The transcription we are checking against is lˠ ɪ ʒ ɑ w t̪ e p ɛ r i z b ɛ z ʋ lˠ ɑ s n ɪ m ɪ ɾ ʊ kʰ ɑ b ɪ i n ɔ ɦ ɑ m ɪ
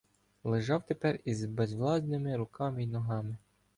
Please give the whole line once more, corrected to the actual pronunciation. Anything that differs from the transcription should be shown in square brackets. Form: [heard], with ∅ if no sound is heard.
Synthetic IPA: lˠ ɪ ʒ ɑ w t̪ e p ɛ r i z b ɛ z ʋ lˠ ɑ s n ɪ m ɪ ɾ ʊ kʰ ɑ [m] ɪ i n ɔ ɦ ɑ m ɪ